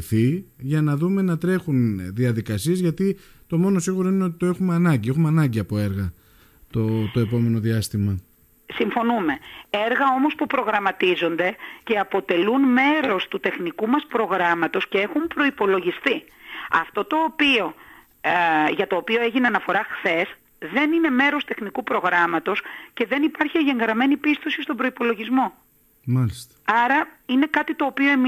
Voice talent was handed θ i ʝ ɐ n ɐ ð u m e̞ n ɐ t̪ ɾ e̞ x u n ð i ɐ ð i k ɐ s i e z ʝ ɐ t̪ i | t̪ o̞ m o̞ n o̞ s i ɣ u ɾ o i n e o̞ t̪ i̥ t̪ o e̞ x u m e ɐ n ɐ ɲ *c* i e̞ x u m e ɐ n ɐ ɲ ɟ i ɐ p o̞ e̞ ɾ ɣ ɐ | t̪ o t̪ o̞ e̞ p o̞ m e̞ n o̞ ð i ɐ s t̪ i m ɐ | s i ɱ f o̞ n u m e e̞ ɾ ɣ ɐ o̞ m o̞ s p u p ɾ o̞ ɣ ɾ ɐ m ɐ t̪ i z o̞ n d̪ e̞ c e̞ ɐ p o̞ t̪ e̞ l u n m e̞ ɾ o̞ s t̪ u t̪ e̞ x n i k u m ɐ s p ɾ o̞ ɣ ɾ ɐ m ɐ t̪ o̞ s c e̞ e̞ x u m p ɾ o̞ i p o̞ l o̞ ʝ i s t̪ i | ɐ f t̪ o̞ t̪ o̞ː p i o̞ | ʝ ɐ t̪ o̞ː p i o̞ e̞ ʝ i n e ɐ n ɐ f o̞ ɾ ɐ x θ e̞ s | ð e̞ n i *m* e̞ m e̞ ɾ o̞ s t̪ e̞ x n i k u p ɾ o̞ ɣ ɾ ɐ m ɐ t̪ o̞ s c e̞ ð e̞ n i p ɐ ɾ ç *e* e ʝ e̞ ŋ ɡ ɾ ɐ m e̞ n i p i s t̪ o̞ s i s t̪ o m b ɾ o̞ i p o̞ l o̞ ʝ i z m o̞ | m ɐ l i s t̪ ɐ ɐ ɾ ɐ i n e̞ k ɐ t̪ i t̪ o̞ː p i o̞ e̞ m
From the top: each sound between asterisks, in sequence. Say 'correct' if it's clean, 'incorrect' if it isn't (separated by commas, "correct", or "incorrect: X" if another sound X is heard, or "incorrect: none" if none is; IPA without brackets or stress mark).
incorrect: ɟ, incorrect: n, incorrect: i